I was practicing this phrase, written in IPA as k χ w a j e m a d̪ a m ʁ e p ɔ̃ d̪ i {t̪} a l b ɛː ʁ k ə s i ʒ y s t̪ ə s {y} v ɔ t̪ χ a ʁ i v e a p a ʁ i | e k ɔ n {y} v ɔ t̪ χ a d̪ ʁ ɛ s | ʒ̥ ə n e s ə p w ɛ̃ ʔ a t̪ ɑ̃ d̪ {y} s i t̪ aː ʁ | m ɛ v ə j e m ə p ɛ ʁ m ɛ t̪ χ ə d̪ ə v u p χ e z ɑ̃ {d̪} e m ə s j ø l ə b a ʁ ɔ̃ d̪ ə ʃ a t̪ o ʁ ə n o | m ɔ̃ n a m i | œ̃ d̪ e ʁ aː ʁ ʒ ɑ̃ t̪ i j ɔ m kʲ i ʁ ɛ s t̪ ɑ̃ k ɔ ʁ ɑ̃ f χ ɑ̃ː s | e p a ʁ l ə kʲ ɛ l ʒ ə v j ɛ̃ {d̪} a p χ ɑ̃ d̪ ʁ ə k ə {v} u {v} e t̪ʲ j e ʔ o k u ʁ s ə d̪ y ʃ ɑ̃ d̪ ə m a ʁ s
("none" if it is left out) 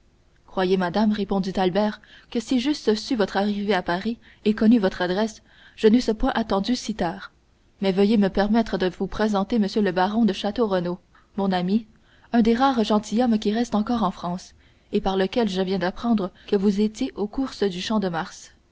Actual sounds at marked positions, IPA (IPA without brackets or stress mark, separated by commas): t̪, y, y, y, t̪, d̪, v, z